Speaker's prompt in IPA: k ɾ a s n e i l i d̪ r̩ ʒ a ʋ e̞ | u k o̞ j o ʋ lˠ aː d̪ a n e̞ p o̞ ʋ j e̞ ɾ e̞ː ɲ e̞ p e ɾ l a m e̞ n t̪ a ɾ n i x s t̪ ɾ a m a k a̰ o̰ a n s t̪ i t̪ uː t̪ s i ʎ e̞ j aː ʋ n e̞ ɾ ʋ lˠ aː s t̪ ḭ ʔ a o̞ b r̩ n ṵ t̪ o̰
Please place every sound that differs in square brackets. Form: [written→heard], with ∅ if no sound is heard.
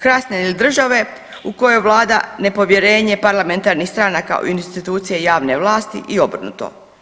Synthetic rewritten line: k ɾ a s n e i l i d̪ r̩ ʒ a ʋ e̞ | u k o̞ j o ʋ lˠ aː d̪ a n e̞ p o̞ ʋ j e̞ ɾ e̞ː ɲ e̞ p [e→a] ɾ l a m e̞ n t̪ a ɾ n i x s t̪ ɾ a [m→n] a k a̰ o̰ [a→i] n s t̪ i t̪ uː t̪ s i [ʎ→j] e̞ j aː ʋ n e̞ [ɾ→∅] ʋ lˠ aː s t̪ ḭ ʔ [a→i] o̞ b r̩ n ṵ t̪ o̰